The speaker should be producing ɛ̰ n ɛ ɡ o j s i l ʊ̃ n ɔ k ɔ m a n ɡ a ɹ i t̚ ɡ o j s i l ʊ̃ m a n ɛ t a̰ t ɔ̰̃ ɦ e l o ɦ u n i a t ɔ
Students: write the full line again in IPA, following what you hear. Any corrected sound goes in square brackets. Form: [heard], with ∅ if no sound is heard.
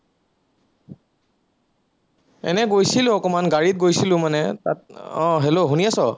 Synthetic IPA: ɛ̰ n ɛ ɡ o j s i l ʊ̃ [∅] ɔ k ɔ m a n ɡ a ɹ i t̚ ɡ o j s i l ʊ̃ m a n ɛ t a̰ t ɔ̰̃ ɦ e l o ɦ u n i a [s] ɔ